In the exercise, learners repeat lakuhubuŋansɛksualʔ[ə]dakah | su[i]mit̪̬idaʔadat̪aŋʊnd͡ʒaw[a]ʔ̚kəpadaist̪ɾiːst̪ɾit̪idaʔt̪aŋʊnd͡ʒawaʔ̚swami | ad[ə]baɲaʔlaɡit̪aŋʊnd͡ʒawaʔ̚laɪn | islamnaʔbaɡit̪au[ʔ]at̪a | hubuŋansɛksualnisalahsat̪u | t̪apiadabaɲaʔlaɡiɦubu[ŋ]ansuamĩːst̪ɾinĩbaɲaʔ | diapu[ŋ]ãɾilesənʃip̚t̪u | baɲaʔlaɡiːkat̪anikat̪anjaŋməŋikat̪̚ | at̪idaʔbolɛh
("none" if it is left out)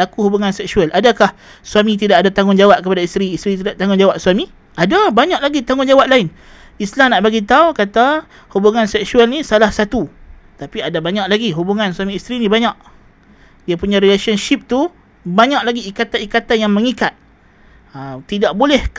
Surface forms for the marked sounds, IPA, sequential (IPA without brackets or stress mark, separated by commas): a, a, a, a, k, ŋ, ɲ